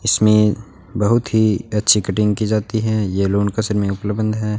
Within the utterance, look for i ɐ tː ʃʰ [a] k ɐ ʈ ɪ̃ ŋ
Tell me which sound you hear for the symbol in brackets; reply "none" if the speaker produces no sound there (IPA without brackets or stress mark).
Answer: i